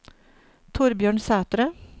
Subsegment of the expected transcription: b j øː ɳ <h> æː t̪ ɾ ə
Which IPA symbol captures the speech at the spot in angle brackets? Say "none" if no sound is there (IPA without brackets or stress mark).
s